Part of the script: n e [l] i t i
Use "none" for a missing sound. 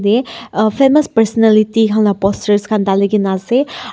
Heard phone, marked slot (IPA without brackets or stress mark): l